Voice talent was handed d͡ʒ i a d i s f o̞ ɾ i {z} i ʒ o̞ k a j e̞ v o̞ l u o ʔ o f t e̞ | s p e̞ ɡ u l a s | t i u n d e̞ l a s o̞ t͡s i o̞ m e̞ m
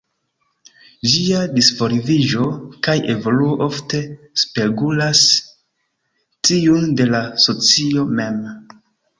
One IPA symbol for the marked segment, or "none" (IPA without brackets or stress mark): v